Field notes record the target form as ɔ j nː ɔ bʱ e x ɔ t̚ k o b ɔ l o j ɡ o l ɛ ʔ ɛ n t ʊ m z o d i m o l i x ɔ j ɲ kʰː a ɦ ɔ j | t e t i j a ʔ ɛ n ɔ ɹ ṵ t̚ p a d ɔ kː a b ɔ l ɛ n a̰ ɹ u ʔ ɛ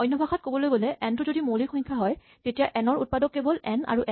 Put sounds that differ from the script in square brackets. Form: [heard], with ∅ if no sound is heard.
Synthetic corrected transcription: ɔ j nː ɔ bʱ [a] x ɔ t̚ k o b ɔ l o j ɡ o l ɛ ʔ ɛ n t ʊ [∅] z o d i m o l i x ɔ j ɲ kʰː a ɦ ɔ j | t e t i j a ʔ ɛ n ɔ ɹ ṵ t̚ p a d ɔ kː [e] b ɔ l ɛ n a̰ ɹ u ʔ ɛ